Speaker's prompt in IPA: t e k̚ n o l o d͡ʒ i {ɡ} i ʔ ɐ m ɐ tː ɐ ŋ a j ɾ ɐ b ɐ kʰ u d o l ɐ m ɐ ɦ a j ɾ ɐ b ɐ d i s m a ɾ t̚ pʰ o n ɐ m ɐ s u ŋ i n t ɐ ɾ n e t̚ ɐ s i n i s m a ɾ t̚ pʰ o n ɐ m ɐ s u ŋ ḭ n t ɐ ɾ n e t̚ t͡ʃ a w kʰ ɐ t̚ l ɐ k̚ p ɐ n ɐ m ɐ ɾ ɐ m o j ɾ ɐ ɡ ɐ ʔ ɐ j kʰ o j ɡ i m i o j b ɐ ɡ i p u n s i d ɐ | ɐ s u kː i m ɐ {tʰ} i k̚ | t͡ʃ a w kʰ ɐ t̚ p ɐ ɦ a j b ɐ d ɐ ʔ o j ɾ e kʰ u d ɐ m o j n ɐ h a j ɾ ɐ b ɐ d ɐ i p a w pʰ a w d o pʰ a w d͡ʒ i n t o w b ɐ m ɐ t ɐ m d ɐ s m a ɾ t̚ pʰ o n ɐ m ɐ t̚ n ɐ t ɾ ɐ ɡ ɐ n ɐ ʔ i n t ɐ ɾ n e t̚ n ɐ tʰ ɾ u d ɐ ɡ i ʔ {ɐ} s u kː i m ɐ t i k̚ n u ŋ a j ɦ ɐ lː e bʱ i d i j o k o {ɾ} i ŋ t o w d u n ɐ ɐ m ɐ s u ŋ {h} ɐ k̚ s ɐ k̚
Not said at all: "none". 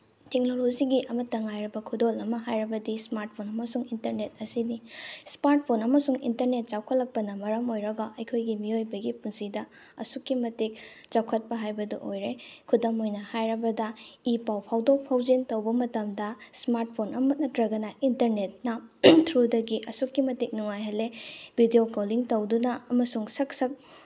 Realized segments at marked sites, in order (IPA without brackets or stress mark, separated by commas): ɡ, t, ɐ, l, s